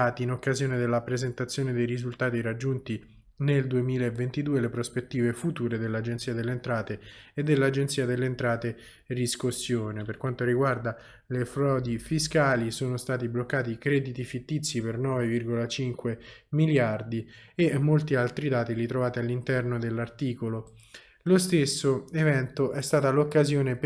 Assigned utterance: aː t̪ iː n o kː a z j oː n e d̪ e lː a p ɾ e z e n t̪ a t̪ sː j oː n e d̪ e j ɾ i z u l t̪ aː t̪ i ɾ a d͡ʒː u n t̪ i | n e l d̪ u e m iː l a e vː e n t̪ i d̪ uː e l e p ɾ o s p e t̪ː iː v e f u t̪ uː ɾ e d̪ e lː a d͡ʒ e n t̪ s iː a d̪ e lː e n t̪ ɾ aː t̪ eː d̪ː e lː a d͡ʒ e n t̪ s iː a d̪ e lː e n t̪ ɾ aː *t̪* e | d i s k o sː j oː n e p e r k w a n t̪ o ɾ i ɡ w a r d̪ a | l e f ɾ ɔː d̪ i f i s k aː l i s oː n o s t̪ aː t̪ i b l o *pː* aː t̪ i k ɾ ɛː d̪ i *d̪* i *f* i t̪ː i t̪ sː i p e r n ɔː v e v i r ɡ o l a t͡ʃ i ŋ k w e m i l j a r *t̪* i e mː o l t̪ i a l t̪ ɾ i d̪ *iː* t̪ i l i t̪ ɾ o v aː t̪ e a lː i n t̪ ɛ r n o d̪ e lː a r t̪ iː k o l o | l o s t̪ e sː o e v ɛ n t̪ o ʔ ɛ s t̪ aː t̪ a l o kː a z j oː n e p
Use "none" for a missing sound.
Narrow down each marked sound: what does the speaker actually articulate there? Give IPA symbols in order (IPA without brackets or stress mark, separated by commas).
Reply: t̪, kː, t̪, f, d̪, aː